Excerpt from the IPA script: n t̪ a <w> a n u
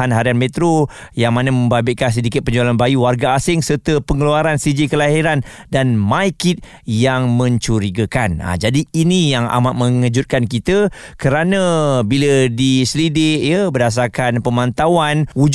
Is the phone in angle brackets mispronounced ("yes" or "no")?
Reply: no